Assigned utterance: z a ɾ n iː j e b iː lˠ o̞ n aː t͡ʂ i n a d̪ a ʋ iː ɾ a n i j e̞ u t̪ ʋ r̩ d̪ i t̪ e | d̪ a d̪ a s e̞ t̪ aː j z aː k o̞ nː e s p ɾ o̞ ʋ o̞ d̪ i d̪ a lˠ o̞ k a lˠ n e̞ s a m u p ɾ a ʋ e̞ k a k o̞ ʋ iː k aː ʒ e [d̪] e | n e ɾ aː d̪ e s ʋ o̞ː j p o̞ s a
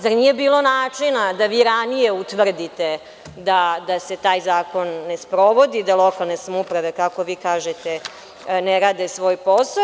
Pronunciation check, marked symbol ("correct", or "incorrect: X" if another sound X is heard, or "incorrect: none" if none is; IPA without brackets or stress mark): incorrect: t̪